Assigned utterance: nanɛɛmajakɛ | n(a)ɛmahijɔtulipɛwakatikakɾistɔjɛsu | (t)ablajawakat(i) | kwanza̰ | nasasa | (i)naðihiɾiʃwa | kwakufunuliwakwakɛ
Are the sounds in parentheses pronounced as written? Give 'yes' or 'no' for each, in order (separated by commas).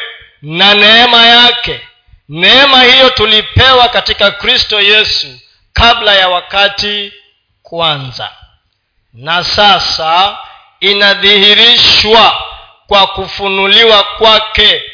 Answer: no, no, yes, yes